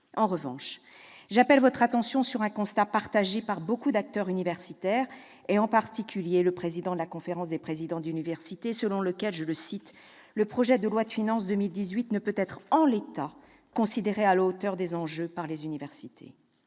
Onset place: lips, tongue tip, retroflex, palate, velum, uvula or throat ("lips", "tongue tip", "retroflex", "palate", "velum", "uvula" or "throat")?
uvula